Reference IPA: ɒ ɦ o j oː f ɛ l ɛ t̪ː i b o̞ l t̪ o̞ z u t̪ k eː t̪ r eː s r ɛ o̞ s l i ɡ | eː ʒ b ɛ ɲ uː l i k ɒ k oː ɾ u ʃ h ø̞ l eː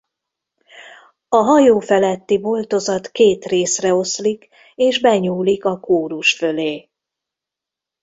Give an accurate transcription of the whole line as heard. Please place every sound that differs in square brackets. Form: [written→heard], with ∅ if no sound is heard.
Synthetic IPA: ɒ ɦ [o→ɒ] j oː f ɛ l ɛ t̪ː i b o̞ l t̪ o̞ z [u→ɒ] t̪ k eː t̪ r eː s r ɛ o̞ s l i [ɡ→k] | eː ʒ b ɛ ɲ uː l i k ɒ k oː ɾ u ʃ [h→f] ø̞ l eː